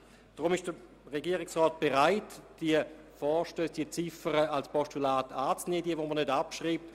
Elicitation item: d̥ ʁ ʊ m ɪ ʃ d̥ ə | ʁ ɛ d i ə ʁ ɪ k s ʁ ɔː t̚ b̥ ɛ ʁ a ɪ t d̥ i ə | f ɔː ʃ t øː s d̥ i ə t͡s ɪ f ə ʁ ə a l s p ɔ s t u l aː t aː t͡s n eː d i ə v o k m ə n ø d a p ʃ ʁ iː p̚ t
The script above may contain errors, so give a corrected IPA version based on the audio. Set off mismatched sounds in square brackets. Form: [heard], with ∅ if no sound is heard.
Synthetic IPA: d̥ ʁ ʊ m ɪ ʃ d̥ ə | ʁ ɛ [ɡ] i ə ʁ ɪ k s ʁ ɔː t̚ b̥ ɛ ʁ a ɪ t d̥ i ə | f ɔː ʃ t øː s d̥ i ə t͡s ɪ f ə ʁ ə a l s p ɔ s t u l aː t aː t͡s n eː d i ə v o [∅] m ə n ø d a p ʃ ʁ iː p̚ t